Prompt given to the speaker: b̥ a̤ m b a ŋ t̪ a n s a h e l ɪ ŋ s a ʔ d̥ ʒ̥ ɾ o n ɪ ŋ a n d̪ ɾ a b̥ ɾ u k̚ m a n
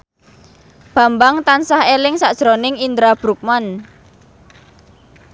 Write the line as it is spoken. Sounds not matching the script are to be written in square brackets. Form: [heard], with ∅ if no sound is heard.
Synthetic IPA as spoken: b̥ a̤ m b a ŋ t̪ a n s a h e l ɪ ŋ s a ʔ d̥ ʒ̥ ɾ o n ɪ ŋ [i] n d̪ ɾ a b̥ ɾ u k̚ m a n